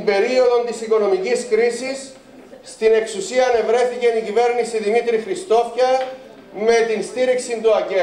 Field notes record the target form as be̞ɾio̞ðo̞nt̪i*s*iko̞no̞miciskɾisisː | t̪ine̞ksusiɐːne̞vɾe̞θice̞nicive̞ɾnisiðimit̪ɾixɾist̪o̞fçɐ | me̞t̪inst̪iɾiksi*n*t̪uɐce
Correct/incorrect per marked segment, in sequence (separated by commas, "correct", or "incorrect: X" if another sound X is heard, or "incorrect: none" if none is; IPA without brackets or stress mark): correct, correct